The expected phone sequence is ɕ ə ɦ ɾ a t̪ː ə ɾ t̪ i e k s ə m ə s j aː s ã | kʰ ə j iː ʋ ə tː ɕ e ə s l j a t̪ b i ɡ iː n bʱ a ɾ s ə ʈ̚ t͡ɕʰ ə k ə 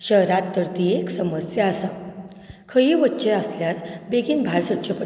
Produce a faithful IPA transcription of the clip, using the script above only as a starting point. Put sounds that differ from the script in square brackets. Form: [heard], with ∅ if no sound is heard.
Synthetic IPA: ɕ ə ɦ ɾ a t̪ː ə ɾ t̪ i e k s ə m ə s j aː s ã | kʰ ə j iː ʋ ə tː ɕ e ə s l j a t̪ b [e] ɡ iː n bʱ a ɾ s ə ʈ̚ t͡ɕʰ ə [p] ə